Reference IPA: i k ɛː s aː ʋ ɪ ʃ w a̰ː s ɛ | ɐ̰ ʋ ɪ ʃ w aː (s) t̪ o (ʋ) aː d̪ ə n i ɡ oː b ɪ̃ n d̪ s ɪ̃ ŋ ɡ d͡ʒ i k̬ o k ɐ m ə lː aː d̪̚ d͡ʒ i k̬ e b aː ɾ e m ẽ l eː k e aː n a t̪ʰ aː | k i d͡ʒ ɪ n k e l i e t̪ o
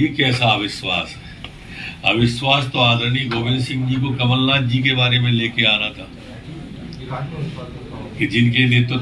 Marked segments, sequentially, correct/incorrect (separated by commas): correct, incorrect